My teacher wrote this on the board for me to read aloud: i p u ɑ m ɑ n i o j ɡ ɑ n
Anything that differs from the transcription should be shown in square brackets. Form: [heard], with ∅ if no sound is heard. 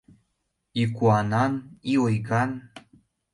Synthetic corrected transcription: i [k] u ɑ [n] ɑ n i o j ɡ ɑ n